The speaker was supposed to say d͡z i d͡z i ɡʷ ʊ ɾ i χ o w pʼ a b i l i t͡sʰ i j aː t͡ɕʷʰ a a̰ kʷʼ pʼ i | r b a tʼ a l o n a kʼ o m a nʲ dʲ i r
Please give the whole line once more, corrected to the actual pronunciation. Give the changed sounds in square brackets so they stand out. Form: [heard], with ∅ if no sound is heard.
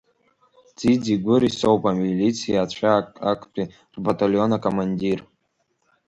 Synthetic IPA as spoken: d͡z i d͡z i ɡʷ ʊ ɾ i [s] o w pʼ a [m] i l i t͡sʰ i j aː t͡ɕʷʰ a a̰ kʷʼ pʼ i | r b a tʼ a l o n a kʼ o m a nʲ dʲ i r